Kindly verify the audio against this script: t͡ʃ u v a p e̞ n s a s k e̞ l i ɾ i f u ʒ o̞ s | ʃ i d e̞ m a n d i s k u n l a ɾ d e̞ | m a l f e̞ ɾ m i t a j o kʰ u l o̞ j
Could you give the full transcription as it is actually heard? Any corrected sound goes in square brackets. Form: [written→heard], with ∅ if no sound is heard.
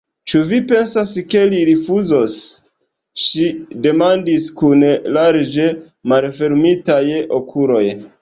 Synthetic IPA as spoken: t͡ʃ u v [a→i] p e̞ n s a s k e̞ l i ɾ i f u [ʒ→z] o̞ s | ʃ i d e̞ m a n d i s k u n l a ɾ [d→d͡ʒ] e̞ | m a l f e̞ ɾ m i t a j o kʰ u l o̞ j